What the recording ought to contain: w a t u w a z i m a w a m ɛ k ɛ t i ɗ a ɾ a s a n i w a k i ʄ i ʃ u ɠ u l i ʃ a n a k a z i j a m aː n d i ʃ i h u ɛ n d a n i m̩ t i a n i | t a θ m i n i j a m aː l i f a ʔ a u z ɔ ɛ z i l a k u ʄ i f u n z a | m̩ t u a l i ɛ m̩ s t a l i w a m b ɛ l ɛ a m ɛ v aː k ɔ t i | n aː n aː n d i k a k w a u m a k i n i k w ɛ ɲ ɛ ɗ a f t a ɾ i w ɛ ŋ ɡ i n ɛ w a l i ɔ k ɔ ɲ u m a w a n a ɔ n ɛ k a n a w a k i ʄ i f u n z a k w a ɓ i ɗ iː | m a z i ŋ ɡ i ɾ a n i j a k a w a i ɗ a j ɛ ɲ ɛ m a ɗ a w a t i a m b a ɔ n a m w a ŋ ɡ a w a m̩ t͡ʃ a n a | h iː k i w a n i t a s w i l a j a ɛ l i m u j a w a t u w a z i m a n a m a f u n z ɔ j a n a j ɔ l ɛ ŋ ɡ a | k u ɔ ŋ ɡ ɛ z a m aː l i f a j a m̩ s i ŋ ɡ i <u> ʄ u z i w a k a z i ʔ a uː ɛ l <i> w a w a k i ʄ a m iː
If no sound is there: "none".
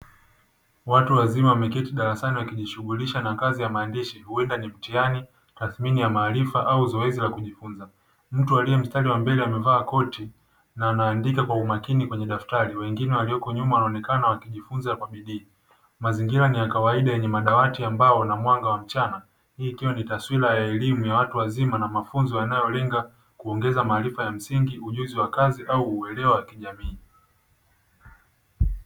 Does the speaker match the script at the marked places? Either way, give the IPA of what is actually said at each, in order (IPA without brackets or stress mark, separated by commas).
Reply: u, ɛ